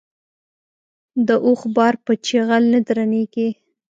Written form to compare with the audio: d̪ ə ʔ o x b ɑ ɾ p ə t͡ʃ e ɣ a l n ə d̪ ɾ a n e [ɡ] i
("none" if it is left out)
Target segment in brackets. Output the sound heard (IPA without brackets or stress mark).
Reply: ɡ